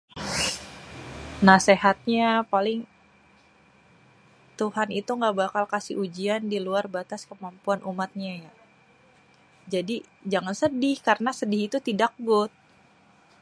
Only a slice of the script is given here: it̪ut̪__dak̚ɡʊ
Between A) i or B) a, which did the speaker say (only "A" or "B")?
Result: A